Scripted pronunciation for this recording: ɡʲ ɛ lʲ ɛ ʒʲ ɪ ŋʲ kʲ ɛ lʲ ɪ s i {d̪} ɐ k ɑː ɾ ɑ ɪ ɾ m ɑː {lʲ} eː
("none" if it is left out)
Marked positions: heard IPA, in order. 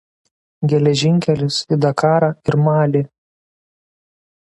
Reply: d̪, lʲ

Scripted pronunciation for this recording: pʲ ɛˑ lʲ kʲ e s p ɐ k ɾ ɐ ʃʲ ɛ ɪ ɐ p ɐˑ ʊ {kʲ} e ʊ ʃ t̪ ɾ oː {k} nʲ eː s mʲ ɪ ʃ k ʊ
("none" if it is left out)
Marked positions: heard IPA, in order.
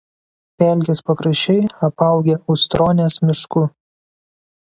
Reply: ɡʲ, none

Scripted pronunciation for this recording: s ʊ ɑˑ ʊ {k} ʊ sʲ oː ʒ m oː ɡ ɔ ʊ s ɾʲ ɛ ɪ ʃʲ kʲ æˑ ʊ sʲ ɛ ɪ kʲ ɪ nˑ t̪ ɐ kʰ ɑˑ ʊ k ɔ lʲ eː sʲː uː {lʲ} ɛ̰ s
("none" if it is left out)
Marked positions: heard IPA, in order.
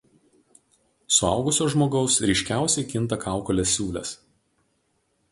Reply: ɡ, lʲ

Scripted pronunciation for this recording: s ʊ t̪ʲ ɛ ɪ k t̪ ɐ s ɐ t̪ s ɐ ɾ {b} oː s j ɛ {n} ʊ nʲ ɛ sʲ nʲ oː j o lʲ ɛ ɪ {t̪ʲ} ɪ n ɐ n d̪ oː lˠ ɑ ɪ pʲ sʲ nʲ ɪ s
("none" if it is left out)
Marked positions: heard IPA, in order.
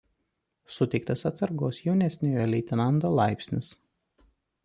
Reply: ɡ, none, t̪ʲ

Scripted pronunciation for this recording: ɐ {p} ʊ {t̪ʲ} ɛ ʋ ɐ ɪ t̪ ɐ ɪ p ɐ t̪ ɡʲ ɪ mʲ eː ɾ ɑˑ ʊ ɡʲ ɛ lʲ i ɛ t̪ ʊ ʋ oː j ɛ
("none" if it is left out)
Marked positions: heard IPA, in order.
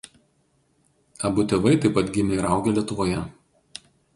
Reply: b, t̪ʲ

